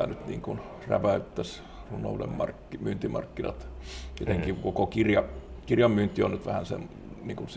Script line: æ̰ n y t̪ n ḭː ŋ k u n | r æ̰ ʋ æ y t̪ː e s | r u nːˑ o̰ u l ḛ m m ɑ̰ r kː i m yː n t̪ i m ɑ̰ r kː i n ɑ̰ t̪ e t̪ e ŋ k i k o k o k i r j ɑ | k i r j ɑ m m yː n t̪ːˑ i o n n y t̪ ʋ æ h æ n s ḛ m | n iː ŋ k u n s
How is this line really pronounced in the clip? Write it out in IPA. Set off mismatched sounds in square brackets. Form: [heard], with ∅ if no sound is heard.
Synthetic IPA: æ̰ n y t̪ n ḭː ŋ k u n | r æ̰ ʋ æ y t̪ː [æ] s | r u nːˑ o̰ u l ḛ m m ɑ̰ r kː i m yː n t̪ i m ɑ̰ r kː i n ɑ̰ t̪ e t̪ e ŋ k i k o k o k i r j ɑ | k i r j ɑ m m yː n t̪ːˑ i o n n y t̪ ʋ æ h æ n s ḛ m | n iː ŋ k u n s